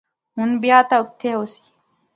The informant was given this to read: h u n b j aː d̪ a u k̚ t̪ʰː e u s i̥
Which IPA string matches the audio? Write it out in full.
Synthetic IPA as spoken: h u n b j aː t̪ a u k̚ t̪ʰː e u s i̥

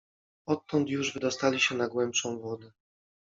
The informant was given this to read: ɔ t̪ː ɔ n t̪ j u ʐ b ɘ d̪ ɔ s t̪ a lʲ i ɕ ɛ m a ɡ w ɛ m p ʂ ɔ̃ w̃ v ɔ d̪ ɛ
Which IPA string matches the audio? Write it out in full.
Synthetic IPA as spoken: ɔ t̪ː ɔ n t̪ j u ʐ v ɘ d̪ ɔ s t̪ a lʲ i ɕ ɛ n a ɡ w ɛ m p ʂ ɔ̃ w̃ v ɔ d̪ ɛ

